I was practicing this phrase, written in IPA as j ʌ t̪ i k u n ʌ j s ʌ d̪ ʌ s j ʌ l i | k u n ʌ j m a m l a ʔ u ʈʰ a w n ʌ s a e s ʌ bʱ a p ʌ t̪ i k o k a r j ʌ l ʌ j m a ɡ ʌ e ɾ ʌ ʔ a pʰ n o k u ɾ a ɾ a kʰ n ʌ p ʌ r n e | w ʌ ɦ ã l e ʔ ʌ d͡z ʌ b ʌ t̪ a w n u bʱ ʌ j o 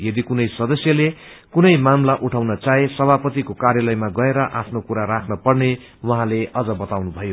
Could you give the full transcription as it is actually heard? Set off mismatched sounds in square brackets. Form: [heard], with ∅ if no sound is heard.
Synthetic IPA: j ʌ [d̪] i k u n ʌ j s ʌ d̪ ʌ s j ʌ l [e] | k u n ʌ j m a m l a ʔ u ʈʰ a w n ʌ [t͡s] a e s ʌ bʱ a p ʌ t̪ i k o k a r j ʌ l ʌ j m a ɡ ʌ e ɾ ʌ ʔ a pʰ n o k u ɾ a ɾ a kʰ n ʌ p ʌ r n e | w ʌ ɦ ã l e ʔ ʌ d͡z ʌ b ʌ t̪ a w n u bʱ ʌ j o